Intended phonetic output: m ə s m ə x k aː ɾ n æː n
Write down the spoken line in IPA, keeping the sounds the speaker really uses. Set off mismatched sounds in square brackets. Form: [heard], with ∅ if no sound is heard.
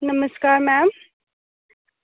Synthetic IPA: [n] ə [∅] m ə [s] k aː ɾ [m] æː [m]